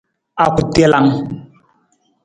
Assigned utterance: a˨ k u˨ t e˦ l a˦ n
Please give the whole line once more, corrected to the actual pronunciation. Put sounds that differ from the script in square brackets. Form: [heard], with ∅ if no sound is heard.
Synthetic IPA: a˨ k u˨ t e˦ l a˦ [ŋ]